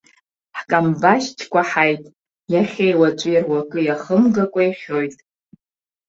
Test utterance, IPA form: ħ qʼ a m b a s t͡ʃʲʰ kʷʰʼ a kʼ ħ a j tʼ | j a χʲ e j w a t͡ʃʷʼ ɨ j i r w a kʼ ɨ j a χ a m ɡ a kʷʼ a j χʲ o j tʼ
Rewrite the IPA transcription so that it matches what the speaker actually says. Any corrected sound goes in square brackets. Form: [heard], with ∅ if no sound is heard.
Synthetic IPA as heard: ħ [kʼ] a m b a [ʃ] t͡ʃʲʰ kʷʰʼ a [∅] ħ a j tʼ | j a χʲ e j w a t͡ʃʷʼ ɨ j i r w a kʼ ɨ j a χ [ə] m ɡ a kʷʼ a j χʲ o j tʼ

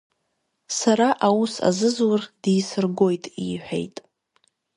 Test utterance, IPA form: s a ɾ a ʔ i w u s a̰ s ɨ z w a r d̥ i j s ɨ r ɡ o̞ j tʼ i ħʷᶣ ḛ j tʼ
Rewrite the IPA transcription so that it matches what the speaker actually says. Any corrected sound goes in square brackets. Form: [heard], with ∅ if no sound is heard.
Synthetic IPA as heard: s a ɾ a ʔ [a] w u s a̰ [z] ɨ z w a r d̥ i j s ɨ r ɡ o̞ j tʼ i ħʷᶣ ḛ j tʼ

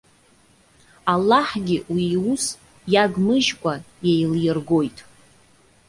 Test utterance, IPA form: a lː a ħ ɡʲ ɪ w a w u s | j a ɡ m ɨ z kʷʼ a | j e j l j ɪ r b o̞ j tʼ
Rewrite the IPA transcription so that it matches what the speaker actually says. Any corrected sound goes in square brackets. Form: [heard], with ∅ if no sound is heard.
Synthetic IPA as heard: a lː a ħ ɡʲ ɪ w [i] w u s | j a ɡ m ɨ [ʒ] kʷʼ a | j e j l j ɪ r [ɡ] o̞ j tʼ

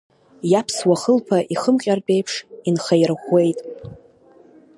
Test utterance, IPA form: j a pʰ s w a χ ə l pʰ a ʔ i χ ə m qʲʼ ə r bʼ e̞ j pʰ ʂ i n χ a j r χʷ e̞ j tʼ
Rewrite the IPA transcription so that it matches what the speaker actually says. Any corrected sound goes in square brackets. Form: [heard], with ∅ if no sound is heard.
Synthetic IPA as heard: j a pʰ s w a χ ə l pʰ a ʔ i χ ə m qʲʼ [a] r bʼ e̞ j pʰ ʂ i n χ a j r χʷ e̞ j tʼ

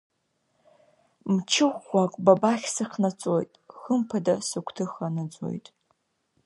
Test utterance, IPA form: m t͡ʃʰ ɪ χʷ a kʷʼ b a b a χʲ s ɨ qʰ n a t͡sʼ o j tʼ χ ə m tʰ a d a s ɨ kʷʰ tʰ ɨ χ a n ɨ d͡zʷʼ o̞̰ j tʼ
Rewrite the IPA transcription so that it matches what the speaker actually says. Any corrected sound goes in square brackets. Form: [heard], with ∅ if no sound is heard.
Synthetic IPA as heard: m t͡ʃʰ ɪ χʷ a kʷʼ b a b a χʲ s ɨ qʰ n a t͡sʼ o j tʼ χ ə m [pʰ] a d a s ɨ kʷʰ tʰ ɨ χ a n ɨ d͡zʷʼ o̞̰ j tʼ

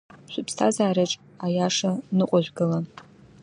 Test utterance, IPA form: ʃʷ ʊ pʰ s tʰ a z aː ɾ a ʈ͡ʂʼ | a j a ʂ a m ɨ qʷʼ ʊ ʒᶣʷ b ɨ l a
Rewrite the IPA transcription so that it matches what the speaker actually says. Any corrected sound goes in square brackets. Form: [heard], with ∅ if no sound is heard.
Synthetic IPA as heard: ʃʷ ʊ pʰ s tʰ a z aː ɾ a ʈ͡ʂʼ | a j a ʂ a [n] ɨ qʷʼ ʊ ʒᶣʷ [ɡ] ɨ l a

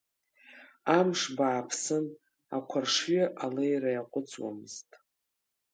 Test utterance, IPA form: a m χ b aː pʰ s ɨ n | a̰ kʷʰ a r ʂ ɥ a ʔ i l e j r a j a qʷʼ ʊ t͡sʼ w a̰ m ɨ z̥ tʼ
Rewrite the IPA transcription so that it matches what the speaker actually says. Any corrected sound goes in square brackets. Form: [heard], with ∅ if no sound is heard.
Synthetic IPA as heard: a m [ʂ] b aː pʰ s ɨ n | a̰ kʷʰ a r ʂ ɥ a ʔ [a] l e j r a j a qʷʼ ʊ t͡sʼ w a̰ m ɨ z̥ tʼ

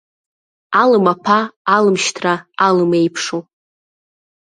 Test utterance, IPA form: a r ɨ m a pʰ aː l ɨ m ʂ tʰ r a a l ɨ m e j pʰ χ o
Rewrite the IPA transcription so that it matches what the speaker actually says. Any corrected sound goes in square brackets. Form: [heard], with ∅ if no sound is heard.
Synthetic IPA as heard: a [l] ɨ m a pʰ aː l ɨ m [ʃ] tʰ r a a l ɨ m e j pʰ [ʂ] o

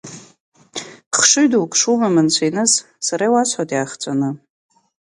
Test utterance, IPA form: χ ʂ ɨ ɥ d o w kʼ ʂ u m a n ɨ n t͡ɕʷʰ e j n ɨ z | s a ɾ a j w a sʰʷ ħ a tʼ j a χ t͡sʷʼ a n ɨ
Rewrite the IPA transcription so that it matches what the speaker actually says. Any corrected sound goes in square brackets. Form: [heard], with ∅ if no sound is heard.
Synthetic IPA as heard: χ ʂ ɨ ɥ d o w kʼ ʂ u m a [m] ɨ n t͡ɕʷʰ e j n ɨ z | s a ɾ a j w a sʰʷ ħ a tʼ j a χ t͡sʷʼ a n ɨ

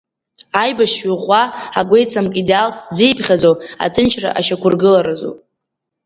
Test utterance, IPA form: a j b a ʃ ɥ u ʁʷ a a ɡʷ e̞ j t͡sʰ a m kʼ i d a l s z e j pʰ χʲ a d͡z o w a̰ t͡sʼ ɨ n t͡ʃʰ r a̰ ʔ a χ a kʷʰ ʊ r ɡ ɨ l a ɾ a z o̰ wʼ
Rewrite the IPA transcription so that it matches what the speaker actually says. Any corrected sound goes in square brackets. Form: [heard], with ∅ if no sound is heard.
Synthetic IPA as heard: a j b a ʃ ɥ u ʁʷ a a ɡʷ e̞ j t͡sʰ a m kʼ i d a l s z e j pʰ χʲ a d͡z o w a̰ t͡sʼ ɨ n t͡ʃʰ r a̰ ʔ a [ʃ] a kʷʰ ʊ r ɡ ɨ l a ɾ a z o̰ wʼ

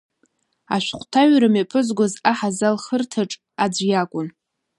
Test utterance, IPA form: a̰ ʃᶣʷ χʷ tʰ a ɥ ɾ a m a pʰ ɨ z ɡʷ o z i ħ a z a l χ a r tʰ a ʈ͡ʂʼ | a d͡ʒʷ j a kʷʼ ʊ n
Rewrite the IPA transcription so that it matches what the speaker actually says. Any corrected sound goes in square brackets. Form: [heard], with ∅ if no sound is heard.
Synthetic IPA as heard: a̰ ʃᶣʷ χʷ tʰ a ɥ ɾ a m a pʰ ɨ z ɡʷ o z [a] ħ a z a l χ [ə] r tʰ a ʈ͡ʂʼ | a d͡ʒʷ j a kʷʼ ʊ n

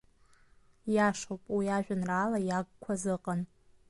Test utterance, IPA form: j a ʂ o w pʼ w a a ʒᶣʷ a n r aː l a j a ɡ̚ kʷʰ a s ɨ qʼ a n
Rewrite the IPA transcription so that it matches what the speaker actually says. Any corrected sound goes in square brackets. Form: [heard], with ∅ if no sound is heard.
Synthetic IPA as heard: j a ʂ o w pʼ w [i] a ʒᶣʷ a n r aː l a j a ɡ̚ kʷʰ a [z] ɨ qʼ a n

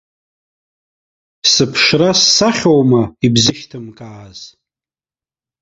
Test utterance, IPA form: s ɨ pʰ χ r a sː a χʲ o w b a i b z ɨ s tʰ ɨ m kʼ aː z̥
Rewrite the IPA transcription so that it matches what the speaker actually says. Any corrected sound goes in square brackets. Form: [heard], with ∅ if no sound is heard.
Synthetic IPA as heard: s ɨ pʰ [ʂ] r a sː a χʲ o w [m] a i b z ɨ [ʃ] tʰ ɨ m kʼ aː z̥

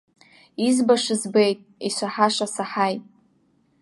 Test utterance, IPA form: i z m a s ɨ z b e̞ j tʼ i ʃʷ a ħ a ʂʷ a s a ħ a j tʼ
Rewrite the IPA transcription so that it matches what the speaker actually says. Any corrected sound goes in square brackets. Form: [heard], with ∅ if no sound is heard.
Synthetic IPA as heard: i z [b] a [ʂ] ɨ z b e̞ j tʼ i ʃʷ a ħ a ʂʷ a s a ħ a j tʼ

